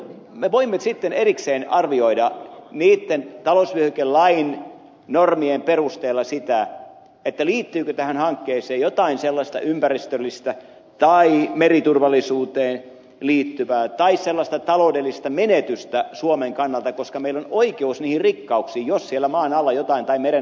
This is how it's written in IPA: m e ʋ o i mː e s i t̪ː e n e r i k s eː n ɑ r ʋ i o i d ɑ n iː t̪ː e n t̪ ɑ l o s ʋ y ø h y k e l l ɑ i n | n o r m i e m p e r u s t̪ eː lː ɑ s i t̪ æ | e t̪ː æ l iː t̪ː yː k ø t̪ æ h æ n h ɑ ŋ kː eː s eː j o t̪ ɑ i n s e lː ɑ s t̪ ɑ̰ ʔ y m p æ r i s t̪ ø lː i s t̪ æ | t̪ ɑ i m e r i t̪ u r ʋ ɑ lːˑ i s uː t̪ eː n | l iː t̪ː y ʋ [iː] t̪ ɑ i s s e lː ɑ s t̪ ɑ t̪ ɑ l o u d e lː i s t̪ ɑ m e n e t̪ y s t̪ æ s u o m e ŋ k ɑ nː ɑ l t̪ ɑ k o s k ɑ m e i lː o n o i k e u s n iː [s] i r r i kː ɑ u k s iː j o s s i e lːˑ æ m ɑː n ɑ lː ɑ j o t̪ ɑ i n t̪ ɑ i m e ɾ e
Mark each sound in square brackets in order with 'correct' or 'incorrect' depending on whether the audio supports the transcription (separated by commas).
incorrect, incorrect